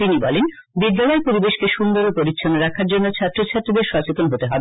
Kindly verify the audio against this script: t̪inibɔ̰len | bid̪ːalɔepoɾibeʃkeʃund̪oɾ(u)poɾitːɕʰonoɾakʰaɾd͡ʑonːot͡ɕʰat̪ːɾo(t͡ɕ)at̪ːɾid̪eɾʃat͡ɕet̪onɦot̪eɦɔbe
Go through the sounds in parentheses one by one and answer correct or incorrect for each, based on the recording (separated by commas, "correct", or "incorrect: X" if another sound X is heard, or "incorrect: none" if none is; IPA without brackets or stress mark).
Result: incorrect: o, incorrect: t͡ɕʰ